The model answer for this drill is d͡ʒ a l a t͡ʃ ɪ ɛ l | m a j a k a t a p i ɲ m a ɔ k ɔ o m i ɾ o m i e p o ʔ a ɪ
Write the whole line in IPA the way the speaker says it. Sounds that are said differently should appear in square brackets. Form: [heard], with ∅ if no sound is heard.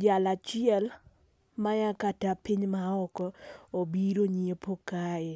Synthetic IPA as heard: d͡ʒ a l a t͡ʃ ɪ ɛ l | m a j a k a t a p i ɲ m a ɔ k ɔ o [b] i ɾ o [ɲ] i e p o [k] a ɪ